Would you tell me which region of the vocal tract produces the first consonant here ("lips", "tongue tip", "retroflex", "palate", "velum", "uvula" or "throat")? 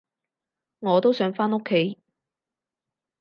velum